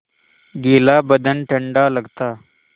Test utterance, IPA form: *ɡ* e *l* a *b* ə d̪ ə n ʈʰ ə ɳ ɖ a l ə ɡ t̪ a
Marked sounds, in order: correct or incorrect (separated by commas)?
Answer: correct, correct, correct